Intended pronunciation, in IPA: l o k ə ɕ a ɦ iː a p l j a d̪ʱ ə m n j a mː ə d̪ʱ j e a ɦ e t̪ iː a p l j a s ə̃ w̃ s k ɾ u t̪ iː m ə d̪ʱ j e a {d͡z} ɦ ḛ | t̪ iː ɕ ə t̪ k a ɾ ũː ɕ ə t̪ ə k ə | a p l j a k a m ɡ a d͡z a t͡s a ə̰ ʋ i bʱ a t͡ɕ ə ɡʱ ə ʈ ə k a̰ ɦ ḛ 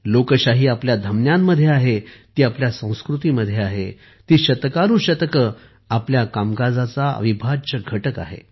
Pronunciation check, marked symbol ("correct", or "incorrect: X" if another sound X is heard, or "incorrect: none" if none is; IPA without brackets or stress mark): incorrect: none